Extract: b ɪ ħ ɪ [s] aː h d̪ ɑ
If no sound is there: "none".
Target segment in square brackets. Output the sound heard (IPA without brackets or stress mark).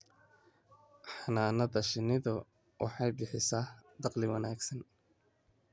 s